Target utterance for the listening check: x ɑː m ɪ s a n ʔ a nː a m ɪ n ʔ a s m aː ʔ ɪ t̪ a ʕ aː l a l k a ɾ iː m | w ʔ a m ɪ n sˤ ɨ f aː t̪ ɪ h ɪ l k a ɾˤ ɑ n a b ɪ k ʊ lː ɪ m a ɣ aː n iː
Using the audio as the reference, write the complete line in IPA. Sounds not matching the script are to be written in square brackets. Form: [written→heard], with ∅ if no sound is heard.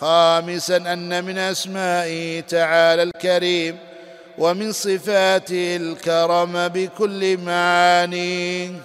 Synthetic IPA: x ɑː m ɪ s a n ʔ a nː a m ɪ n ʔ a s m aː ʔ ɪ t̪ a ʕ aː l a l k a ɾ iː m | w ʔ a m ɪ n sˤ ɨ f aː t̪ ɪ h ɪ l k [a→ɑ] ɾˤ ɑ [n→m] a b ɪ k ʊ lː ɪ m a [ɣ→ʕ] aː n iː